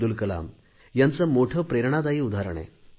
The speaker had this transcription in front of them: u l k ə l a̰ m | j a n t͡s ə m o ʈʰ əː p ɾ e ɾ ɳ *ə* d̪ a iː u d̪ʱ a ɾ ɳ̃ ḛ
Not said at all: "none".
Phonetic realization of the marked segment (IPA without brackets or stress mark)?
a